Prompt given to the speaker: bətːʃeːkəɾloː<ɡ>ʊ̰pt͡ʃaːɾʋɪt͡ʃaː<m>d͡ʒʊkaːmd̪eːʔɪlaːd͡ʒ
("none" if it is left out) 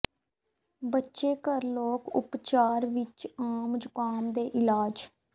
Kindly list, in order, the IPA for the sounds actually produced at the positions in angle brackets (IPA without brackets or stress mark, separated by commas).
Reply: k, m